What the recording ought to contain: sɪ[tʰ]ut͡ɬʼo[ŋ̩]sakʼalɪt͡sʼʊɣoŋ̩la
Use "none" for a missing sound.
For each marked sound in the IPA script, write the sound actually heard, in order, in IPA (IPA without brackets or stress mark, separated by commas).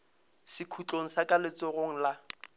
kʰ, ŋ̩